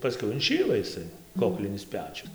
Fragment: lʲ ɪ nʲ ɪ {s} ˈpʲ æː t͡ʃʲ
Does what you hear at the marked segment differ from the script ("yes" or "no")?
no